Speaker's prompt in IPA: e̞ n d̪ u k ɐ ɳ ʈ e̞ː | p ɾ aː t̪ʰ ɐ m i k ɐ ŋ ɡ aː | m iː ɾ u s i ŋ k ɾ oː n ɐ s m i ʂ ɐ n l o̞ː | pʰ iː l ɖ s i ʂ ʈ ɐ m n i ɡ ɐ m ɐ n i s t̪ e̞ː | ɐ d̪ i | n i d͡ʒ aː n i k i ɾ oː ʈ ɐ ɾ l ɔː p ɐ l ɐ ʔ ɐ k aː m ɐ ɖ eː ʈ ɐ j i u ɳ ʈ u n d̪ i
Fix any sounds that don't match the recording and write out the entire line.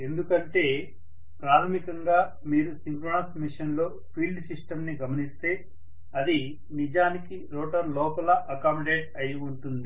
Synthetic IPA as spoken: e̞ n d̪ u k ɐ ɳ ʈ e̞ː | p ɾ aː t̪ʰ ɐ m i k ɐ ŋ ɡ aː | m iː ɾ u s i ŋ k ɾ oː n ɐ s m i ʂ ɐ n l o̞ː | pʰ iː l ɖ s i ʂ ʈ ɐ m n i ɡ ɐ m ɐ n i s t̪ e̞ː | ɐ d̪ i | n i d͡ʒ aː n i k i ɾ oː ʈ ɐ ɾ l ɔː p ɐ l ɐ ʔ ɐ k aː m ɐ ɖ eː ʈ ɐ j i u ɳ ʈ u n d̪ i